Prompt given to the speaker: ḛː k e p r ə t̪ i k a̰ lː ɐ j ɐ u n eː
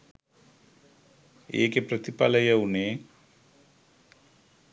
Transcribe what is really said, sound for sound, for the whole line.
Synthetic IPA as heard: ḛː k e p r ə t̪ i p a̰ l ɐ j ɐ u n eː

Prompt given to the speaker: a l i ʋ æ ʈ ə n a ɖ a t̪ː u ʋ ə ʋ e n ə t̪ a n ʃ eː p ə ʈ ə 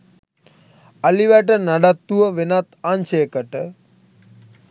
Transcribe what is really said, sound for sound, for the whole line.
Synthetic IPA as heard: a l i ʋ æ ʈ ə n a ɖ a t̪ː u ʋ ə ʋ e n a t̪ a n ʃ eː k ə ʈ ə

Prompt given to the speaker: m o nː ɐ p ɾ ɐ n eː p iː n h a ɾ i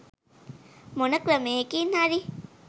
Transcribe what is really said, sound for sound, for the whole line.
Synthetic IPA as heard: m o n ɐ k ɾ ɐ m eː k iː n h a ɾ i

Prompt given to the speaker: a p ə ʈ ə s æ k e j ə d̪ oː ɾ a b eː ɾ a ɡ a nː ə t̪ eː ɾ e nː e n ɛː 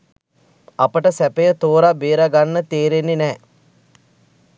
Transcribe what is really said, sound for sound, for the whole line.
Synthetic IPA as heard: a p ə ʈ ə s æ p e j ə t̪ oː ɾ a b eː ɾ a ɡ a nː ə t̪ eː ɾ e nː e n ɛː

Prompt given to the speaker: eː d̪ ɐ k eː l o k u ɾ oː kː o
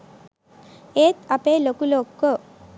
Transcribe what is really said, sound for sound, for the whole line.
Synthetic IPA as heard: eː t̪ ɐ p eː l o k u l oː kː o

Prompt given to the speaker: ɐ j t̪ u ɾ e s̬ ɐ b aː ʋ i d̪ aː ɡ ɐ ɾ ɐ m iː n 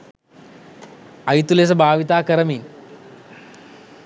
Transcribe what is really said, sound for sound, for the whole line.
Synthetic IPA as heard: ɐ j t̪ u l e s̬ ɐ b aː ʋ i t̪ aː k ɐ ɾ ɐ m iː n

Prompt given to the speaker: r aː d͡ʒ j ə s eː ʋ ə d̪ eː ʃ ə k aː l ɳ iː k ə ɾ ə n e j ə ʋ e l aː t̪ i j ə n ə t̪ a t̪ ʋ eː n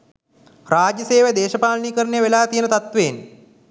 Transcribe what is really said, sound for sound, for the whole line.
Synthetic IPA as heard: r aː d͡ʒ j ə s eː ʋ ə d̪ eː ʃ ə p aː l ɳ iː k ə ɾ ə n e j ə ʋ e l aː t̪ i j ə n ə t̪ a t̪ ʋ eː n

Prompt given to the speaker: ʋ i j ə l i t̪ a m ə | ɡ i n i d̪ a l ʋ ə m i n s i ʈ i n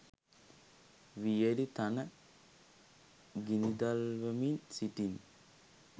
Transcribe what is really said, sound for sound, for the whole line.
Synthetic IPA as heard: ʋ i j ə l i t̪ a n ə | ɡ i n i d̪ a l ʋ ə m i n s i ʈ i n

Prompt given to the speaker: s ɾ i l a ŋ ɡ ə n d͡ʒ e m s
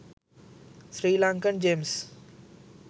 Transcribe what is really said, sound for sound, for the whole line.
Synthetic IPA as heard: s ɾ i l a ŋ k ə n d͡ʒ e m s

